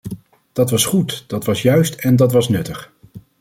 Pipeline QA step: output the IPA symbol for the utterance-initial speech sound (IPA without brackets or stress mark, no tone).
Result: d̥